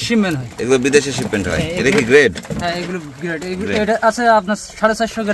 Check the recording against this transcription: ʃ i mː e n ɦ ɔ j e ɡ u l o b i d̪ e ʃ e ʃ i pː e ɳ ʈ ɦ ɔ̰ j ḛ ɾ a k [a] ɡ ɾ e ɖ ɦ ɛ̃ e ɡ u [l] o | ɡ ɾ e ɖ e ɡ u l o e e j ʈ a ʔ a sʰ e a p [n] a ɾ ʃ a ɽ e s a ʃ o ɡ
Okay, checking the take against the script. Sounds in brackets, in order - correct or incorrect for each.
incorrect, correct, correct

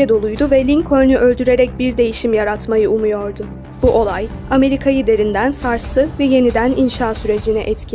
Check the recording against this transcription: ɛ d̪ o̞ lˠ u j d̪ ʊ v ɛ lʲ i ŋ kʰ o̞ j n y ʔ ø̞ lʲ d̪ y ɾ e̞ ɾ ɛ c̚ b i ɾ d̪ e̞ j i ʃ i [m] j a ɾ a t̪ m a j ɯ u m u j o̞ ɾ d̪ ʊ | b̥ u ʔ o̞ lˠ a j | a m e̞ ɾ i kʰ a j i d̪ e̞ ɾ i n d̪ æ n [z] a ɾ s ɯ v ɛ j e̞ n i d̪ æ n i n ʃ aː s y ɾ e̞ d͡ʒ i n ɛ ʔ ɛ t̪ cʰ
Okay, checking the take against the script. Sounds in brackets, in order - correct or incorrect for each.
correct, incorrect

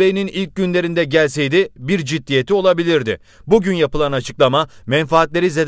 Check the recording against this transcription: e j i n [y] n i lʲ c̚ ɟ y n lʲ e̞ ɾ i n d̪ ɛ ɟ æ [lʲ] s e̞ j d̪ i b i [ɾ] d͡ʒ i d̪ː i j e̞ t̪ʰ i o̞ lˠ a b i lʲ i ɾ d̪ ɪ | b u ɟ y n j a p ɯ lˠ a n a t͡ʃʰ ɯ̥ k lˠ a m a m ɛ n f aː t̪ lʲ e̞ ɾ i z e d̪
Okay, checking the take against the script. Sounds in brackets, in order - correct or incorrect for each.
incorrect, correct, correct

